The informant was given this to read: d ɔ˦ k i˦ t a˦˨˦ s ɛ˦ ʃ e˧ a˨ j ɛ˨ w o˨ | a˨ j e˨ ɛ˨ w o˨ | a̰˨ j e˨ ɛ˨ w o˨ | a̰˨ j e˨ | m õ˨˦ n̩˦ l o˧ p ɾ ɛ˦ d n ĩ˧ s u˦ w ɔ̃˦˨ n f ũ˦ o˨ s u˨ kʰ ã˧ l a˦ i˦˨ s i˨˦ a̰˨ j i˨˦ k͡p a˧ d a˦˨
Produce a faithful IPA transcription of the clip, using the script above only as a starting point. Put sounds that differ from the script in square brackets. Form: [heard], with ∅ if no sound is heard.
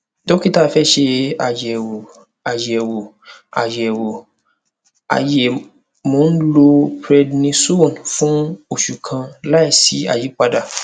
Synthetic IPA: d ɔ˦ k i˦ t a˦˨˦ [f] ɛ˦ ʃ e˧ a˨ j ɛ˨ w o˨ | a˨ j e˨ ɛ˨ w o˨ | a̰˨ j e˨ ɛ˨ w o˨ | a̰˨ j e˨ | m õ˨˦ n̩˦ l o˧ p ɾ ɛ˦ d n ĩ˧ s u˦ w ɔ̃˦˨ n f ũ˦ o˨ [ʃ] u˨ kʰ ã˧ l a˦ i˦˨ s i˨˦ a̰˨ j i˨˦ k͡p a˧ d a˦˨